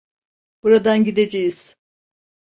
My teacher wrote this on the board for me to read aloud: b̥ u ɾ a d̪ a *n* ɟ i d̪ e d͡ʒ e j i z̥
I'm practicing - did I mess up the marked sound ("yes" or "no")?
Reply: no